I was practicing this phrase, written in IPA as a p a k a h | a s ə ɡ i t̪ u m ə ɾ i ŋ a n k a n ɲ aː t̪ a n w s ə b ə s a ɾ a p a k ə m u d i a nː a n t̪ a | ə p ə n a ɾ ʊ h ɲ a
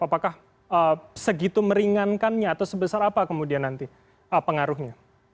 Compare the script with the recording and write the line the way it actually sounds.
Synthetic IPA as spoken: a p a k a h | ə s ə ɡ i t̪ u m ə ɾ i ŋ a n k a n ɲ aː t̪ a w s ə b ə s a ɾ a p a k ə m u d i a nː a n t̪ i | ə p ə ŋ a ɾ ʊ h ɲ a